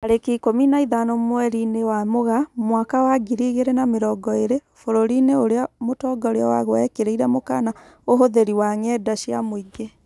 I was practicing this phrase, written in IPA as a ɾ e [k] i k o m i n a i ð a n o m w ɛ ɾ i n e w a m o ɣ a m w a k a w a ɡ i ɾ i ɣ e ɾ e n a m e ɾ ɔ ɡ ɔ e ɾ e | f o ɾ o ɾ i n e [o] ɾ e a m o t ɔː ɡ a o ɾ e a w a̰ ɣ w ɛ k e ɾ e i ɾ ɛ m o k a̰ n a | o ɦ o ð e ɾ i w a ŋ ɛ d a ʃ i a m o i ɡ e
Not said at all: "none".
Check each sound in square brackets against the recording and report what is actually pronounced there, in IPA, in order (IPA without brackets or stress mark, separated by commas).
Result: k, o